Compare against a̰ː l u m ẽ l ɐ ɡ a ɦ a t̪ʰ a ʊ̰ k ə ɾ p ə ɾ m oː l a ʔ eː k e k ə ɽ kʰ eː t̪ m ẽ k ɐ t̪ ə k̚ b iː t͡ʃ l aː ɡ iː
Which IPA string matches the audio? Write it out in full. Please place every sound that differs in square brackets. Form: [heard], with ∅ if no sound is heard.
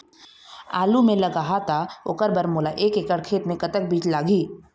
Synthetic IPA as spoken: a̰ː l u m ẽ l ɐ ɡ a ɦ a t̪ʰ a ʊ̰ k ə ɾ [b] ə ɾ m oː l a ʔ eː k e k ə ɽ kʰ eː t̪ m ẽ k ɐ t̪ ə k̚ b iː t͡ʃ l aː ɡ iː